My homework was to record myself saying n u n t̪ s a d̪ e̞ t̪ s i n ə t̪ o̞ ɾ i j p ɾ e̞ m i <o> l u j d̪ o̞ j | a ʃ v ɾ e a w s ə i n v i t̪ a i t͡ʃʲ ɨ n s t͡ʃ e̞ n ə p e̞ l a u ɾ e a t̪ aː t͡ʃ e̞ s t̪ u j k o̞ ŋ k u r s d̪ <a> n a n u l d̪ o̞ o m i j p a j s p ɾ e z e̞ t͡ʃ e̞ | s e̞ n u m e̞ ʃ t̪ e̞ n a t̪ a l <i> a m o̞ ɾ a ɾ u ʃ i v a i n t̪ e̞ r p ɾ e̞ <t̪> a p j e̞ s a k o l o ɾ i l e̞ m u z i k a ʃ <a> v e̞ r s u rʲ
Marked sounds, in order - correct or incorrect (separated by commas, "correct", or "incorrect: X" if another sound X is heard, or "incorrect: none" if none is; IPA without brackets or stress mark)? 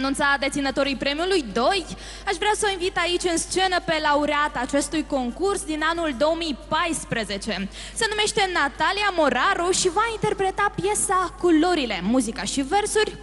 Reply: incorrect: u, incorrect: i, correct, correct, incorrect: i